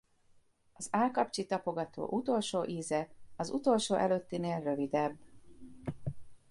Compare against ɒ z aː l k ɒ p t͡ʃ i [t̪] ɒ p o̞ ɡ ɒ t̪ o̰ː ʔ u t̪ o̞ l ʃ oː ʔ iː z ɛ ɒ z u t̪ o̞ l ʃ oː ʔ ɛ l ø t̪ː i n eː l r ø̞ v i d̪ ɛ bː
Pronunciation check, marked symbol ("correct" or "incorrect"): correct